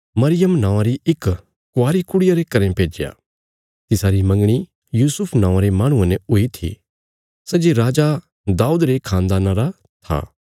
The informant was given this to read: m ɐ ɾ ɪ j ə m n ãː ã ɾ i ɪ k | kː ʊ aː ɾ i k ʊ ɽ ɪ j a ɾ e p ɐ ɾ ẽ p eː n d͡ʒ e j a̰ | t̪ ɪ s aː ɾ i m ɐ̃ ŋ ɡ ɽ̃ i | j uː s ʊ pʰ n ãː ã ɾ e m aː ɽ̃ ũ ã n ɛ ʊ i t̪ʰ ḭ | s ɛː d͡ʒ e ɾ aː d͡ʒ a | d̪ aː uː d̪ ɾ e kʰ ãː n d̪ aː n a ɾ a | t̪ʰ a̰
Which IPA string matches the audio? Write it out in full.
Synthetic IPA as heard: m ɐ ɾ ɪ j ə m n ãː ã ɾ i ɪ k | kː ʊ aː ɾ i k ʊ ɽ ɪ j a ɾ e k ɐ ɾ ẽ p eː d͡ʒ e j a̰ | t̪ ɪ s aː ɾ i m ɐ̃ ŋ ɡ ɽ̃ i | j uː s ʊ pʰ n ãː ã ɾ e m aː ɽ̃ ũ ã n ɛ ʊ i t̪ʰ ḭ | s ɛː d͡ʒ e ɾ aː d͡ʒ a | d̪ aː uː d̪ ɾ e kʰ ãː n d̪ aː n a ɾ a | t̪ʰ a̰